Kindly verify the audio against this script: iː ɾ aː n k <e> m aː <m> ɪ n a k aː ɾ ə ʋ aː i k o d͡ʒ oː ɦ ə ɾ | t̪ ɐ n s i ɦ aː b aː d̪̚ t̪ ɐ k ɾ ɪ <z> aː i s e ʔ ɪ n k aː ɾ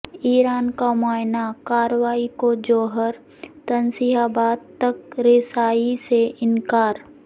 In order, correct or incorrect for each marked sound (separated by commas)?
incorrect, incorrect, incorrect